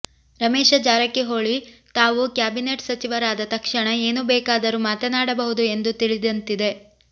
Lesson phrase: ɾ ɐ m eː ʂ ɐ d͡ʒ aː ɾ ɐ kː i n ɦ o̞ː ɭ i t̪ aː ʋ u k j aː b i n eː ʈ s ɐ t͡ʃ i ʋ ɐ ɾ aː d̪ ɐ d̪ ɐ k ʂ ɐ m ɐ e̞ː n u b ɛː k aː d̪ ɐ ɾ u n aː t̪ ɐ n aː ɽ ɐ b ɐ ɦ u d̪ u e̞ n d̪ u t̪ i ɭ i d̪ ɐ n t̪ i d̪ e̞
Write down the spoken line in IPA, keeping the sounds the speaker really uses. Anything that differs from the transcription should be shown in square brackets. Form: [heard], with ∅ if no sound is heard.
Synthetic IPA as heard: ɾ ɐ m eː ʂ ɐ d͡ʒ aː ɾ ɐ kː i [∅] ɦ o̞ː ɭ i t̪ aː ʋ u k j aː b i n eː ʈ s ɐ t͡ʃ i ʋ ɐ ɾ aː d̪ ɐ [t̪] ɐ k ʂ ɐ [ɳ] ɐ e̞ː n u b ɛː k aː d̪ ɐ ɾ u [m] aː t̪ ɐ n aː ɽ ɐ b ɐ ɦ u d̪ u e̞ n d̪ u t̪ i ɭ i d̪ ɐ n t̪ i d̪ e̞